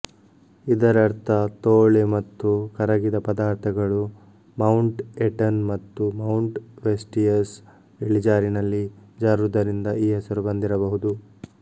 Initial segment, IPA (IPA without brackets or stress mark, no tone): i